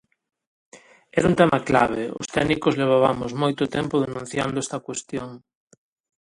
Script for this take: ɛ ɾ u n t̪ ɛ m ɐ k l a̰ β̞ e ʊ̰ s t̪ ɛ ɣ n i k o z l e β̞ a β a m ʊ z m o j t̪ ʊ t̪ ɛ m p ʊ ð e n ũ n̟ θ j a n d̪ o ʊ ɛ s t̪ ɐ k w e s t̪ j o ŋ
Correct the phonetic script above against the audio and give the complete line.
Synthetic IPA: ɛ ɾ u n t̪ ɛ m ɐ k l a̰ β̞ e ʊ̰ s t̪ ɛ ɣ n i k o z l e β̞ a β a m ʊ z m o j t̪ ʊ t̪ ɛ m p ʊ ð e n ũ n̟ θ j a n d̪ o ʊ ɛ s t̪ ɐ k w e s t̪ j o ŋ